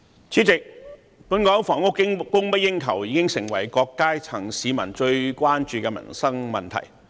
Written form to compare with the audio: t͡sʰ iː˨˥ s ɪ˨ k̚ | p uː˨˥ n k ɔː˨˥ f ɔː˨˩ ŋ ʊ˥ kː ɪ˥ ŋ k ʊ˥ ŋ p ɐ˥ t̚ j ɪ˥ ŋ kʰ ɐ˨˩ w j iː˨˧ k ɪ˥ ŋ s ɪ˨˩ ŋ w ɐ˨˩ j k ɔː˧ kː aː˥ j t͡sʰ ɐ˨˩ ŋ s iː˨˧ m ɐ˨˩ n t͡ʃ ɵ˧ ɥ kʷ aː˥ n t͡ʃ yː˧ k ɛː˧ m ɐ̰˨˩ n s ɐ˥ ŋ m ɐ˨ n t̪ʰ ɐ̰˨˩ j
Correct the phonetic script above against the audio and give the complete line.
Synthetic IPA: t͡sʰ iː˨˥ t͡s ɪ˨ k̚ | p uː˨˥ n k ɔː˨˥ f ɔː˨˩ ŋ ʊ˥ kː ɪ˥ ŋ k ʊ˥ ŋ p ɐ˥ t̚ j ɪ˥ ŋ kʰ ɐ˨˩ w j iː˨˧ k ɪ˥ ŋ s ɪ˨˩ ŋ w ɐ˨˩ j k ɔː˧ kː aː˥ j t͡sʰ ɐ˨˩ ŋ s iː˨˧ m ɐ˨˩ n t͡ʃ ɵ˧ ɥ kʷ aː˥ n t͡ʃ yː˧ k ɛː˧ m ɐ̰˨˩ n s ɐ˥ ŋ m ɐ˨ n t̪ʰ ɐ̰˨˩ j

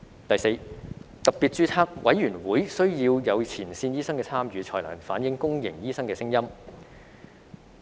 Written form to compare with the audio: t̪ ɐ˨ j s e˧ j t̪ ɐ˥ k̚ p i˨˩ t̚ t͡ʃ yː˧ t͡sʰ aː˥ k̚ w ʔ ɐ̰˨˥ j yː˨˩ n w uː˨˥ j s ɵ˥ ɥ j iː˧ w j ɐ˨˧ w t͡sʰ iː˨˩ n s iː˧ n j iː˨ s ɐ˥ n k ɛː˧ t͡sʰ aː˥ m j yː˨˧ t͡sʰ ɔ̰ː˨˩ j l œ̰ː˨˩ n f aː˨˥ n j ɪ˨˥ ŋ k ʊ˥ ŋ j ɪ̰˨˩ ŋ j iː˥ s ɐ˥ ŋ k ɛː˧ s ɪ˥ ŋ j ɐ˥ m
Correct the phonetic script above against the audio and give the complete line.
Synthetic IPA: t̪ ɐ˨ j s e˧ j t̪ ɐ˨ k̚ p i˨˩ t̚ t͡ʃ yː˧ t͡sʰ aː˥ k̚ w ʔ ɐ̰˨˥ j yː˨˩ n w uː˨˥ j s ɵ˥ ɥ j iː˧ w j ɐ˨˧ w t͡sʰ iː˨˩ n s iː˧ n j iː˥ s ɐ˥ ŋ k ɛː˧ t͡sʰ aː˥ m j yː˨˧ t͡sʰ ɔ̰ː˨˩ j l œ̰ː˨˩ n f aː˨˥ n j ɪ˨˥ ŋ k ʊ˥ ŋ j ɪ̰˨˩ ŋ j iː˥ s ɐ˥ ŋ k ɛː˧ s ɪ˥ ŋ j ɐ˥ m

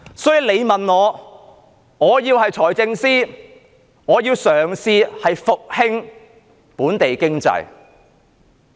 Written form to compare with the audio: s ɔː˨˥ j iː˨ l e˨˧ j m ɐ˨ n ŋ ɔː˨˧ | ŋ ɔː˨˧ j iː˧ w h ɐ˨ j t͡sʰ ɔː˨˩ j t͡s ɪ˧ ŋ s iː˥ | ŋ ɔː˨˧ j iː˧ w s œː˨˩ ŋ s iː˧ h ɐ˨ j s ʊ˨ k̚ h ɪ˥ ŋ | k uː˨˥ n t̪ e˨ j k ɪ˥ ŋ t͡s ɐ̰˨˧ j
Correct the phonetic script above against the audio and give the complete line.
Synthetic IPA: s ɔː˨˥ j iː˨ l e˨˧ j m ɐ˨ n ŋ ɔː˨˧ | ŋ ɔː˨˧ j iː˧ w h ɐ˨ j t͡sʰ ɔː˨˩ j t͡s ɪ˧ ŋ s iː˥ | ŋ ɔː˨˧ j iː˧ w s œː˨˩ ŋ s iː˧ h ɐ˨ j f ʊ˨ k̚ h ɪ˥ ŋ | p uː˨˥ n t̪ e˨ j k ɪ˥ ŋ t͡s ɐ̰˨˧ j

